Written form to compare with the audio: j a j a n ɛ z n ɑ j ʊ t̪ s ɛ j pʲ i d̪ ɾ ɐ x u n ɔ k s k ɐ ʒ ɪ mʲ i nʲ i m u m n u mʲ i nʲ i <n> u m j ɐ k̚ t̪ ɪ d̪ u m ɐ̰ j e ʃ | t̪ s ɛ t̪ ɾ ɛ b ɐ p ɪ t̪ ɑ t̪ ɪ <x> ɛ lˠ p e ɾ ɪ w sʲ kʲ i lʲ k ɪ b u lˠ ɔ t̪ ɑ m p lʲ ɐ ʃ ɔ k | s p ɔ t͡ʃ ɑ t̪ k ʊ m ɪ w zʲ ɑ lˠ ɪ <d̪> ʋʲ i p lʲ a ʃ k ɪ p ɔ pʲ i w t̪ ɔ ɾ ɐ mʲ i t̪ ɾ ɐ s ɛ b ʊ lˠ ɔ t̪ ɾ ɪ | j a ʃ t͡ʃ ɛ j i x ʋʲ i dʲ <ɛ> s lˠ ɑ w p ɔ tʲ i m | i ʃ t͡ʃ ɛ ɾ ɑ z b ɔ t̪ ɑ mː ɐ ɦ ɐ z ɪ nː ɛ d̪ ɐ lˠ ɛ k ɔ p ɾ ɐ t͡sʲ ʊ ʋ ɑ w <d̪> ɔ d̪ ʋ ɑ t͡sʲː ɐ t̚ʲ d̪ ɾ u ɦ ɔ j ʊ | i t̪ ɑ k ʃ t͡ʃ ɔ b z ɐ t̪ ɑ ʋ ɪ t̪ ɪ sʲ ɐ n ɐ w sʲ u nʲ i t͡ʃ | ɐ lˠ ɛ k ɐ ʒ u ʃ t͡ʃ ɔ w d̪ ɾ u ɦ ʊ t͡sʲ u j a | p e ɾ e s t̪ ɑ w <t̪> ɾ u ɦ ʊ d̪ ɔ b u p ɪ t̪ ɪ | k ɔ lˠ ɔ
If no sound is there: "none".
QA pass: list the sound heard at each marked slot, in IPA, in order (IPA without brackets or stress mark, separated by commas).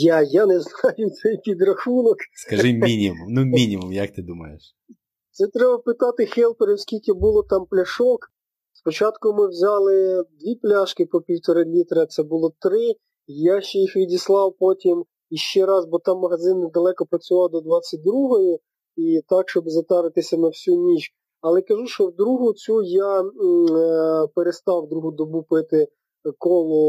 m, x, d̪, i, d̪, d̪